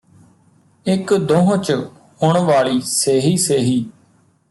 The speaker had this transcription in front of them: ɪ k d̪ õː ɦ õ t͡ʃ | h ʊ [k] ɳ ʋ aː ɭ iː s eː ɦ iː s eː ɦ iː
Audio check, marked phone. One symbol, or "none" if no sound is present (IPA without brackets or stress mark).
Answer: none